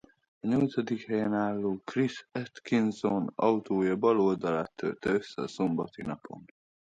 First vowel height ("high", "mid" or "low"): low